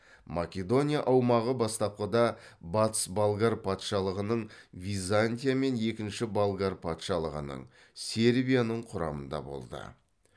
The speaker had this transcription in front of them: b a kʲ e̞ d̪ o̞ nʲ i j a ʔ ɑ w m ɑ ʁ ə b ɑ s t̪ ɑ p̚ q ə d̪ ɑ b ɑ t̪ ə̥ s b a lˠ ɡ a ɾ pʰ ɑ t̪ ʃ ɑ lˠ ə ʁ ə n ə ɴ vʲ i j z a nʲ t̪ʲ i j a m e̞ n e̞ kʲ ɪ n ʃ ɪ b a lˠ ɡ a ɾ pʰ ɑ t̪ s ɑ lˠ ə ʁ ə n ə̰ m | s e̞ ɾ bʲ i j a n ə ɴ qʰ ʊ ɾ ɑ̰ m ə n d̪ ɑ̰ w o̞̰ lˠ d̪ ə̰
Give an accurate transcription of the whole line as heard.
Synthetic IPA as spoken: m a kʲ e̞ d̪ o̞ nʲ i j a ʔ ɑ w m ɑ ʁ ə b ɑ s t̪ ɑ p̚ q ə d̪ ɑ b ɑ t̪ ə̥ s b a lˠ ɡ a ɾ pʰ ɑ t̪ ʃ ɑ lˠ ə ʁ ə n ə ɴ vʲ i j z a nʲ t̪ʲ i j a m e̞ n e̞ kʲ ɪ n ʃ ɪ b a lˠ ɡ a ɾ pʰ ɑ t̪ ʃ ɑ lˠ ə ʁ ə n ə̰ ɴ | s e̞ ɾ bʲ i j a n ə ɴ qʰ ʊ ɾ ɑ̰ m ə n d̪ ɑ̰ b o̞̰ lˠ d̪ ə̰